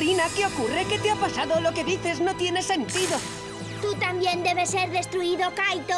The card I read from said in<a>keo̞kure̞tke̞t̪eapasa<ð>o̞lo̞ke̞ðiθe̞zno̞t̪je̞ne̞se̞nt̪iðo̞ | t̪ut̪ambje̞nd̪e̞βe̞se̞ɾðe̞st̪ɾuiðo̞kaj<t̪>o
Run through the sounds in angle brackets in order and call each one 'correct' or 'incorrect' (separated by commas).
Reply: correct, correct, correct